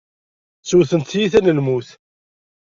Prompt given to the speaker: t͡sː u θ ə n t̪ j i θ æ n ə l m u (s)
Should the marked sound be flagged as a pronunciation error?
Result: yes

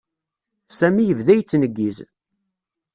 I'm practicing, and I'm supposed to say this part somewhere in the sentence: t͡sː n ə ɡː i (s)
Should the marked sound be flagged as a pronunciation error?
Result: yes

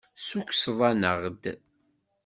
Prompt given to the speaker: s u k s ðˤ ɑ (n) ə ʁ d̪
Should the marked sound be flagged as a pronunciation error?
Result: no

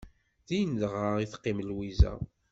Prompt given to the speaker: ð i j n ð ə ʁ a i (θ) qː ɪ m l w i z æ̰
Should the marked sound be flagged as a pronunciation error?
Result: no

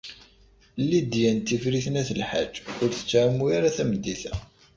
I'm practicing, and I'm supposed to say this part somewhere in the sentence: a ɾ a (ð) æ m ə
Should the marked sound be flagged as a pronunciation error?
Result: yes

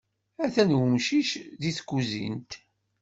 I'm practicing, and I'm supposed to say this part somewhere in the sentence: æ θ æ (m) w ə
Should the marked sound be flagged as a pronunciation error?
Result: yes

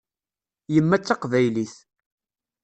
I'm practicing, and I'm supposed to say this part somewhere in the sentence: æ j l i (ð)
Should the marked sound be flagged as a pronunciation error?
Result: yes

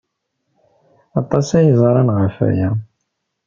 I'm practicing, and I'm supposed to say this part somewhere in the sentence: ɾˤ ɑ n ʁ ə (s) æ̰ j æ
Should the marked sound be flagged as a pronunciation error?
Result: yes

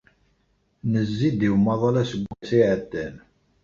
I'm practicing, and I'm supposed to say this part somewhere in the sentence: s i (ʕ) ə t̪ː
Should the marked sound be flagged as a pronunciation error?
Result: no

